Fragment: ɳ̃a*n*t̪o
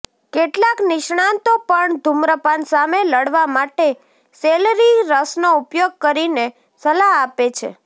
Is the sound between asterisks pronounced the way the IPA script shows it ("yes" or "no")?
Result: yes